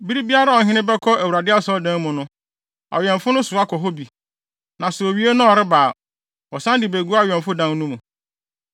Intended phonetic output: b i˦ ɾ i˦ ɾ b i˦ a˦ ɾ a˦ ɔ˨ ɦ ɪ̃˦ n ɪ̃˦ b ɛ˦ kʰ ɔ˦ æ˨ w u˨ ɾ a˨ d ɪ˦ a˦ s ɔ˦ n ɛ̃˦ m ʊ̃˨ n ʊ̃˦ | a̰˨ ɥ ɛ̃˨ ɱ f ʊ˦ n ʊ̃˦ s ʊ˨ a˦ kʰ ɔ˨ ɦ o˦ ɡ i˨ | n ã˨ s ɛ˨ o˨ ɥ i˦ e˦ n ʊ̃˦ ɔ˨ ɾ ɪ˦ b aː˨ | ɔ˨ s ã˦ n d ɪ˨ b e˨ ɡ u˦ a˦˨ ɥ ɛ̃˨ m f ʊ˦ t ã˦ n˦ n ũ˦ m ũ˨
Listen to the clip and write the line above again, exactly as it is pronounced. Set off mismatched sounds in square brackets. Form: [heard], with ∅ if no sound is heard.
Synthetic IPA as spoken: b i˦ ɾ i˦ [∅] b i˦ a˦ ɾ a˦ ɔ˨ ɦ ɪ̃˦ n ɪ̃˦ b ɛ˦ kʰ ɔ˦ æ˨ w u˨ ɾ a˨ d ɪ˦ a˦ s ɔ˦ [d] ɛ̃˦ m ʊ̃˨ n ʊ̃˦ | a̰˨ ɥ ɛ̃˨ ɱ f ʊ˦ n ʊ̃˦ s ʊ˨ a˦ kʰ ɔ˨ ɦ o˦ [b] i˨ | n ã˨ s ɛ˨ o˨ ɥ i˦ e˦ n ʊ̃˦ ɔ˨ ɾ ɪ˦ b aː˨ | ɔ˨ s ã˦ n d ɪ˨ b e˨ ɡ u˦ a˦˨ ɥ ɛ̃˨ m f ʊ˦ [d] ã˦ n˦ n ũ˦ m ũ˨